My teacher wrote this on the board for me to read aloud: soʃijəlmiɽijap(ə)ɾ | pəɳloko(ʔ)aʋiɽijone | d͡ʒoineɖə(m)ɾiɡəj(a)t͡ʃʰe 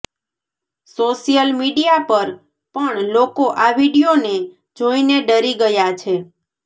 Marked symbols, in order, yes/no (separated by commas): yes, yes, no, yes